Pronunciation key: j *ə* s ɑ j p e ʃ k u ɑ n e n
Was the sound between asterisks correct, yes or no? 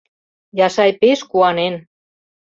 no